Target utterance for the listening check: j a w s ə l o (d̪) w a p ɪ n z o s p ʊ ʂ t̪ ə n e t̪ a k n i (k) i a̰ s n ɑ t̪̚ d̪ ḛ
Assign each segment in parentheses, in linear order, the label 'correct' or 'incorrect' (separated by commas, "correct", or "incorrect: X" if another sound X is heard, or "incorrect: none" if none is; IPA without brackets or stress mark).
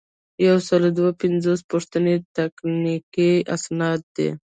correct, correct